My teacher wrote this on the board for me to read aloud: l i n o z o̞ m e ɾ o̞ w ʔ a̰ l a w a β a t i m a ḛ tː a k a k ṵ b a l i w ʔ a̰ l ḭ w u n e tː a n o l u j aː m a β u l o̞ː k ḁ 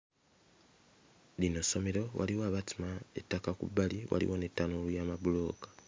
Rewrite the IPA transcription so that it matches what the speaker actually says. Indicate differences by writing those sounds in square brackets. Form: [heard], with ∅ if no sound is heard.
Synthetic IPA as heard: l i n o [s] o̞ m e ɾ o̞ w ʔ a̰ l [i] w a β a t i m a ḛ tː a k a k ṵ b a l i w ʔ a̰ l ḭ w [o] n e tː a n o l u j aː m a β u l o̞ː k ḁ

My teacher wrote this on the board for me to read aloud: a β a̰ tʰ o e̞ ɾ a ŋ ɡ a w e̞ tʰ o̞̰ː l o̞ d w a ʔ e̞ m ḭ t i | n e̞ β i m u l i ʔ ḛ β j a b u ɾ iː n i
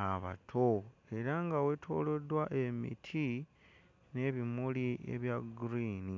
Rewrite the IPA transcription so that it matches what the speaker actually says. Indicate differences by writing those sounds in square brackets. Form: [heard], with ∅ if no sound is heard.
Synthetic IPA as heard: a β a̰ tʰ o e̞ ɾ a ŋ ɡ a w e̞ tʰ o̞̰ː l o̞ d w a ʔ e̞ m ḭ [tʰ] i | n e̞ β i m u l i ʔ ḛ β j a [ɡ] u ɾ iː n i

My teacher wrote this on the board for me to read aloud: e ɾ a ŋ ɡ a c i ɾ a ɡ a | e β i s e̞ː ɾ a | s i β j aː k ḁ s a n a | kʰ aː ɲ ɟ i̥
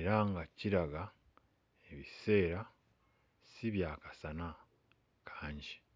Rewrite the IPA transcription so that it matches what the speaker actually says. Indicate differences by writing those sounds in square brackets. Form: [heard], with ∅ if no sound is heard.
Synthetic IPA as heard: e ɾ a ŋ ɡ a c i ɾ a ɡ a | e β i s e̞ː ɾ a | s i β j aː k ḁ s a n a | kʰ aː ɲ ɟ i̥

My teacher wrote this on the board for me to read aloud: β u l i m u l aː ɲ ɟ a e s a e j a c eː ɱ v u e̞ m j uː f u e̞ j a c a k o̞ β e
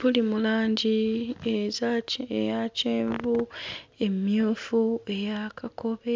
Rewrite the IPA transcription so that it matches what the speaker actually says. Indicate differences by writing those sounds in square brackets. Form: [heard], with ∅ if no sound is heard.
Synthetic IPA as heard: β u l i m u l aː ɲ ɟ [i] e [z] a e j a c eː ɱ v u e̞ m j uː f u e̞ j a [k] a k o̞ β e

